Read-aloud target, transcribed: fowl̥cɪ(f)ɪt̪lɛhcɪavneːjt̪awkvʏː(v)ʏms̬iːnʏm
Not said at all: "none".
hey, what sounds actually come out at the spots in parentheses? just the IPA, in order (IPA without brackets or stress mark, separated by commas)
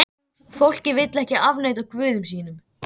v, ð